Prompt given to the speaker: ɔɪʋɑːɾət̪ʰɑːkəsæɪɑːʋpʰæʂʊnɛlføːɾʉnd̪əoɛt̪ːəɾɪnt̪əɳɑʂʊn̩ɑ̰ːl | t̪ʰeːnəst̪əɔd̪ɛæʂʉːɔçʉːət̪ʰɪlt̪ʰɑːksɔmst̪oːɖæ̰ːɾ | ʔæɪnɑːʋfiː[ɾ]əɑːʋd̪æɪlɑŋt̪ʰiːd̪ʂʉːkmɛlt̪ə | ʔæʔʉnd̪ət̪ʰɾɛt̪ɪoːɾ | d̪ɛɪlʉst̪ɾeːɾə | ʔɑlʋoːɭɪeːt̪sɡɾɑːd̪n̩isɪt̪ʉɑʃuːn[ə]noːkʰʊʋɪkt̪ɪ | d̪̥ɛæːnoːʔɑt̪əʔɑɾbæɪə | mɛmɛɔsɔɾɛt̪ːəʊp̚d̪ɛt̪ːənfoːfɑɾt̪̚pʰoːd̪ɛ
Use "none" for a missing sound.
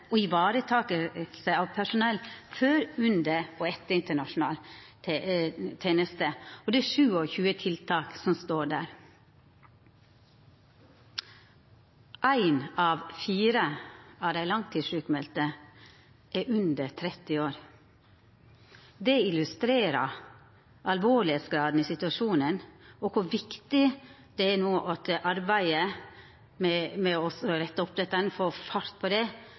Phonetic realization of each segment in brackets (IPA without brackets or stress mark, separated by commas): ɾ, ə